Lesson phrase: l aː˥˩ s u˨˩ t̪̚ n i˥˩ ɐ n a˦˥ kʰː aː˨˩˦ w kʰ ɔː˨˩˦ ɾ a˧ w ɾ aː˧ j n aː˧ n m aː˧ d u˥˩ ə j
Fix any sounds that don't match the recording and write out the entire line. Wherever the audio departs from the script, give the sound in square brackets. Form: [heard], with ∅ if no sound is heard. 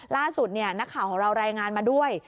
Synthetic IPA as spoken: l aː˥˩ s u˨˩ t̪̚ n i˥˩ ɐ n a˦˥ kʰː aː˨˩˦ w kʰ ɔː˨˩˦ ɾ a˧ w ɾ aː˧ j [ŋ] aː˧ n m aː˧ d u˥˩ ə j